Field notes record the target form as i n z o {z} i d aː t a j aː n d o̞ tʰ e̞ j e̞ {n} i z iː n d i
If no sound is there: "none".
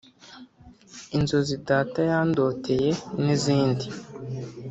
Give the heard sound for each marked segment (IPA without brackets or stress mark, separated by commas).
z, n